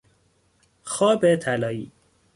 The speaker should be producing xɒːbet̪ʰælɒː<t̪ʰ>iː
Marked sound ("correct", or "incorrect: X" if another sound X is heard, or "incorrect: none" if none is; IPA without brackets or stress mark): incorrect: none